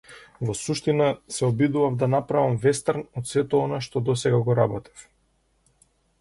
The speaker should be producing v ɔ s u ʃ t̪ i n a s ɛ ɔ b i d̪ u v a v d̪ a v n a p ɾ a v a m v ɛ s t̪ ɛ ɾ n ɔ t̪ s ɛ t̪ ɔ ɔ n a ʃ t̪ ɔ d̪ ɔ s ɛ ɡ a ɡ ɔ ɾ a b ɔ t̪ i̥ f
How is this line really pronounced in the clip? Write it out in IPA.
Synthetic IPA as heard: v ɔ s u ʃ t̪ i n a s ɛ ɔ b i d̪ u v a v d̪ a n a p ɾ a v a m v ɛ s t̪ a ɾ n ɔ t̪ s ɛ t̪ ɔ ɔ n a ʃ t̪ ɔ d̪ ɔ s ɛ ɡ a ɡ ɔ ɾ a b ɔ t̪ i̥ f

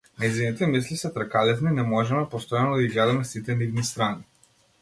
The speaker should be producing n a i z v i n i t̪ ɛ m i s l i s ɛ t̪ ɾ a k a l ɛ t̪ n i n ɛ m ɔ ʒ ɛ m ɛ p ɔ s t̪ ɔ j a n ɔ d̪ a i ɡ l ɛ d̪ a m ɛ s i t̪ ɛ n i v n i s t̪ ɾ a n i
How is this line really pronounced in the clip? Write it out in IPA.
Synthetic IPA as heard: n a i z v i n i t̪ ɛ m i s l i s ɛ t̪ ɾ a k a l ɛ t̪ n i n ɛ m ɔ ʒ ɛ m ɛ p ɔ s t̪ ɔ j a n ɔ d̪ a i ɡ l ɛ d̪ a m ɛ s i t̪ ɛ n i v n i s t̪ ɾ a n i

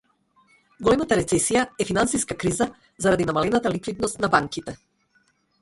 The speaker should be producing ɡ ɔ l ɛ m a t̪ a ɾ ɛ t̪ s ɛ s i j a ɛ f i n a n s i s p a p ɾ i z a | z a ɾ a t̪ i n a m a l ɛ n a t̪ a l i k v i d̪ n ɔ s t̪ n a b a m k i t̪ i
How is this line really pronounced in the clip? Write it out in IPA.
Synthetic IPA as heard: ɡ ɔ l ɛ m a t̪ a ɾ ɛ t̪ s ɛ s i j a ɛ f i n a n s i s k a k ɾ i z a | z a ɾ a d̪ i n a m a l ɛ n a t̪ a l i k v i d̪ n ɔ s t̪ n a b a ŋ k i t̪ ɛ

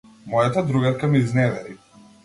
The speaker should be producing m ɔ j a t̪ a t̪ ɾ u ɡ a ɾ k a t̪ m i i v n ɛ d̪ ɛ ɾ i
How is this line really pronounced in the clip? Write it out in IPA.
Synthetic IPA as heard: m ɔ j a t̪ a d̪ ɾ u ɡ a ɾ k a m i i z n ɛ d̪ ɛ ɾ i

